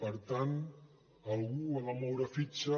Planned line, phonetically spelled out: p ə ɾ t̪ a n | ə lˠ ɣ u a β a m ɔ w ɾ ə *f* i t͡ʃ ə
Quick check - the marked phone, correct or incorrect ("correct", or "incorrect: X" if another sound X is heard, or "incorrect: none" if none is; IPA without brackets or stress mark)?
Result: correct